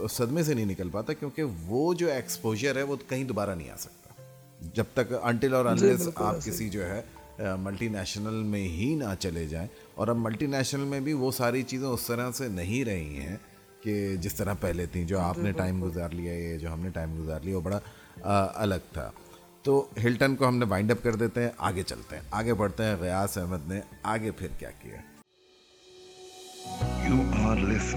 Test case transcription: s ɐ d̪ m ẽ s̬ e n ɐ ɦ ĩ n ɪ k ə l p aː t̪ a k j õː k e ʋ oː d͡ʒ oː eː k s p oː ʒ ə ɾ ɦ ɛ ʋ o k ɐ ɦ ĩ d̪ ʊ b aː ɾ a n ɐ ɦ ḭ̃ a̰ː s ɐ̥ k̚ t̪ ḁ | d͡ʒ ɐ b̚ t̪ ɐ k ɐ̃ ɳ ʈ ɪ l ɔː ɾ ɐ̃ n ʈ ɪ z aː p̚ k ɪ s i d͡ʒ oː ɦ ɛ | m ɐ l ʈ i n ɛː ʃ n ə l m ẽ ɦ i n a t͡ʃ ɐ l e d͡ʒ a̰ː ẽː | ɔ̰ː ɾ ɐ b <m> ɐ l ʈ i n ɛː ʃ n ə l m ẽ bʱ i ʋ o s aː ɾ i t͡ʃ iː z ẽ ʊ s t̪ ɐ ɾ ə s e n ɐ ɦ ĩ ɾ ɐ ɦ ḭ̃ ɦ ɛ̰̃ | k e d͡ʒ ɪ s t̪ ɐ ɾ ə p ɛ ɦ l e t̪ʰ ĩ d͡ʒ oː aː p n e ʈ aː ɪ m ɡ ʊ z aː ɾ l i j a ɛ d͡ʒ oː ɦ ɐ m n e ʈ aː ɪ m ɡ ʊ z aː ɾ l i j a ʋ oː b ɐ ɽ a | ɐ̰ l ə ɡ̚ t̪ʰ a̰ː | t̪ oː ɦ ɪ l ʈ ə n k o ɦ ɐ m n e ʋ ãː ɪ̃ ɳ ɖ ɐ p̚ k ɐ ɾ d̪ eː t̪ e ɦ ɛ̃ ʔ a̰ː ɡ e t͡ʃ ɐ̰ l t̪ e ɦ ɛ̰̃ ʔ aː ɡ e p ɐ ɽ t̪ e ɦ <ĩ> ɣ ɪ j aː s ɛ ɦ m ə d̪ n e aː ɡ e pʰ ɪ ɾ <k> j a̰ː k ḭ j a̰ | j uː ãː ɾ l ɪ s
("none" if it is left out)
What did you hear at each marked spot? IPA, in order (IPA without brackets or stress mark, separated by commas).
m, ɛ̃, k